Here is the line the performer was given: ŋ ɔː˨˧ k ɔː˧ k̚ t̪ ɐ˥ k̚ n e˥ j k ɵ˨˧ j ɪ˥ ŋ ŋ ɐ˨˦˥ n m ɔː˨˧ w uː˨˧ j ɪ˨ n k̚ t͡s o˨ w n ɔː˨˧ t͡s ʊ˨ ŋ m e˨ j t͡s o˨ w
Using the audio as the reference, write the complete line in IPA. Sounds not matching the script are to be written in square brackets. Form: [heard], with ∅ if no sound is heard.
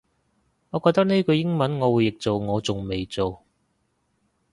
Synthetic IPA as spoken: ŋ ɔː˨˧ k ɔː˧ k̚ t̪ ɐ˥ k̚ n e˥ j k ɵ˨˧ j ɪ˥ ŋ [m] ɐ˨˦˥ n [ŋ] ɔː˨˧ w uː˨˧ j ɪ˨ [∅] k̚ t͡s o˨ w [ŋ] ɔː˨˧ t͡s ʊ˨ ŋ m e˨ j t͡s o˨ w